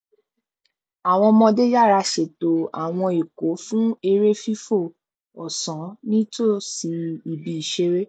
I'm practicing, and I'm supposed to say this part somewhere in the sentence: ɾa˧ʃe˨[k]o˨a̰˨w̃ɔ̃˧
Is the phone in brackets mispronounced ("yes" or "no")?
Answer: yes